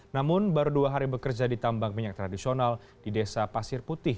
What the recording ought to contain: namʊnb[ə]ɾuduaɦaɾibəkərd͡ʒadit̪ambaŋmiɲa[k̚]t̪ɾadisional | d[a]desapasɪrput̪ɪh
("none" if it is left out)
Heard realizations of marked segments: a, k̚, i

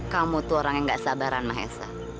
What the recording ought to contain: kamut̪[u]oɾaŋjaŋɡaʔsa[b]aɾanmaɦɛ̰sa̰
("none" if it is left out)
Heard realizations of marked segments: u, b

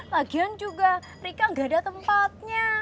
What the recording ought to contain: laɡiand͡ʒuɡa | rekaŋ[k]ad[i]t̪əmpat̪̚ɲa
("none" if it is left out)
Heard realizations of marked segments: ɡ, a

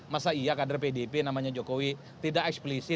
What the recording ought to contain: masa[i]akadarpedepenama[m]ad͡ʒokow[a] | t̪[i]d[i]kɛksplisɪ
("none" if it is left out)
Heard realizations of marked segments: i, ɲ, i, i, a

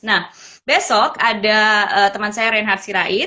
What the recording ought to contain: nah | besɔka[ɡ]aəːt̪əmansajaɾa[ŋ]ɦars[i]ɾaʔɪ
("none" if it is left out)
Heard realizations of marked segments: d, n, i

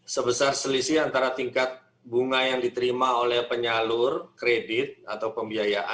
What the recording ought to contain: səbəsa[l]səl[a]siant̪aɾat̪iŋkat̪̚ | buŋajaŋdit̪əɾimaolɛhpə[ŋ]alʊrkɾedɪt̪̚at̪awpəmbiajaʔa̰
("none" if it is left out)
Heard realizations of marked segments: r, i, ɲ

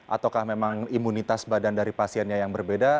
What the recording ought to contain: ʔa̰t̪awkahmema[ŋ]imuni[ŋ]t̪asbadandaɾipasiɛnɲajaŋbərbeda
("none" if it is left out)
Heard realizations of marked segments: ŋ, none

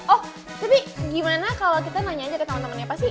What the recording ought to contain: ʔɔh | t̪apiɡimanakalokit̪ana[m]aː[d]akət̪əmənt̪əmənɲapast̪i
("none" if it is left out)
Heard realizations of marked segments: ɲ, d͡ʒ

